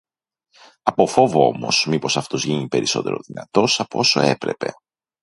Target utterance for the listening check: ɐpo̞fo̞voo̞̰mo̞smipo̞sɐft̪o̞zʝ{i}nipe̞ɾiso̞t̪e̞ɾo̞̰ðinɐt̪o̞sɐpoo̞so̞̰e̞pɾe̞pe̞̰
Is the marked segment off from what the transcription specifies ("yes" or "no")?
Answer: no